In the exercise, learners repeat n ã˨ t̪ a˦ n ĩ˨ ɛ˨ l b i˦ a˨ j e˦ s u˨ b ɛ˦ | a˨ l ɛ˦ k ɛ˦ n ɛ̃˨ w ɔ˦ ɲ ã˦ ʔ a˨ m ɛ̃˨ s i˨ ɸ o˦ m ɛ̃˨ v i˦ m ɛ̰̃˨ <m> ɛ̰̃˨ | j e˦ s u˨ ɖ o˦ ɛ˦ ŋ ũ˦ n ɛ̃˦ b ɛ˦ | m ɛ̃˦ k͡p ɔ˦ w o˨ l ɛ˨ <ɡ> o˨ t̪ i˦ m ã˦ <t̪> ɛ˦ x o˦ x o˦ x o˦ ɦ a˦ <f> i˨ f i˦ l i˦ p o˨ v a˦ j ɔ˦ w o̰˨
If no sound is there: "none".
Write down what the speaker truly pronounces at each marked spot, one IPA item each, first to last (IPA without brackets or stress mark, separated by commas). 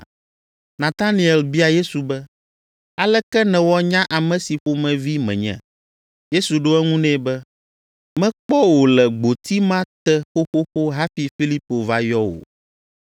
ɲ, ɡ͡b, t̪, f